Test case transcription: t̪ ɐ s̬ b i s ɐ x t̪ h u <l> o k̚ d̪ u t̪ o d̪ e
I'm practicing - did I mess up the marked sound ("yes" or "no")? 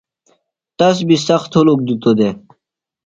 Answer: no